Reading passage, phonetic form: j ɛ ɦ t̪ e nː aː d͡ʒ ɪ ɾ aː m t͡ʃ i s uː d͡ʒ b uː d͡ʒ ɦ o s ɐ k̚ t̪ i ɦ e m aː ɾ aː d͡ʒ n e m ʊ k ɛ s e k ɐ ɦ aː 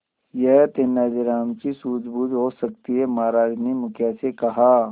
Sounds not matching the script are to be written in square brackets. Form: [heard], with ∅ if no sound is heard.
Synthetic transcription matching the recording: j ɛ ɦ t̪ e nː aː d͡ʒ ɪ ɾ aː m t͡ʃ i s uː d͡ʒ b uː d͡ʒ ɦ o s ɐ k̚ t̪ i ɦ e m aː ɾ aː d͡ʒ n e m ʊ k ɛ s e k ɐ ɦ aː